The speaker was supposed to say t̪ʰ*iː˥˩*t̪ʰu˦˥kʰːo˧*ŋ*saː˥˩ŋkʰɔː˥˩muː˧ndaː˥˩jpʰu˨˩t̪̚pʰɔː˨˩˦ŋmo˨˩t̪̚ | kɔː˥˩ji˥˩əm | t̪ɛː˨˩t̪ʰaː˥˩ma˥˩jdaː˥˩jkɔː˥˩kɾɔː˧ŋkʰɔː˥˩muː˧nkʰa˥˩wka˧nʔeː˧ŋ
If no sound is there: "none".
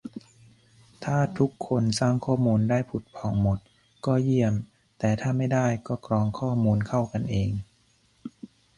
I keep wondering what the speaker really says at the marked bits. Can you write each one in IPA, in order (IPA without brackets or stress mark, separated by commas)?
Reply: aː˥˩, n